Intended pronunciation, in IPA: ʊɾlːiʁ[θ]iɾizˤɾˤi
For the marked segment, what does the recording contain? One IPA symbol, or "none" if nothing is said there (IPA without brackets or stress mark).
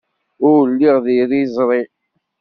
ð